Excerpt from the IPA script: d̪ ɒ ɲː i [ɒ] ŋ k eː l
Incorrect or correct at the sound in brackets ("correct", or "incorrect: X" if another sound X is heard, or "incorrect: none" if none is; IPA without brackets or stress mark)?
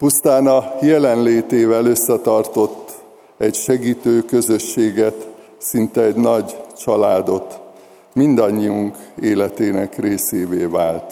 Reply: incorrect: u